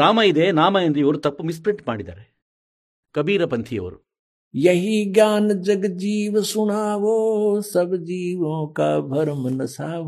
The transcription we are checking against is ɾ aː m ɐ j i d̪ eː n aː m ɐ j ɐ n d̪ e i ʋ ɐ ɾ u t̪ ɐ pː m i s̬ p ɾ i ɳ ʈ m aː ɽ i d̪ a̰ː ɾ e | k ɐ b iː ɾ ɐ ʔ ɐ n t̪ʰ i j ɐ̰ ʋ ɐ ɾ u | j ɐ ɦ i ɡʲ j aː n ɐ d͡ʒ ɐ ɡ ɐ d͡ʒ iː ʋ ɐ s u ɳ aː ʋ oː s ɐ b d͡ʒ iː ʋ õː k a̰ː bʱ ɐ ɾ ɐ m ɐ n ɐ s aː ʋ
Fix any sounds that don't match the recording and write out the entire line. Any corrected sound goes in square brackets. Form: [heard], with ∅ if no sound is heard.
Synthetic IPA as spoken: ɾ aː m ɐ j i d̪ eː n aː m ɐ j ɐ n d̪ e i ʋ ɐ ɾ u t̪ ɐ pː m i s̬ p ɾ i ɳ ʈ m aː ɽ i d̪ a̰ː ɾ e | k ɐ b iː ɾ ɐ [p] ɐ n t̪ʰ i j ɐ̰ ʋ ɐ ɾ u | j ɐ ɦ i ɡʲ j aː n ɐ d͡ʒ ɐ ɡ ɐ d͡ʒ iː ʋ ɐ s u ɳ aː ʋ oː s ɐ b d͡ʒ iː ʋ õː k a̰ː bʱ ɐ ɾ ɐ m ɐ n ɐ s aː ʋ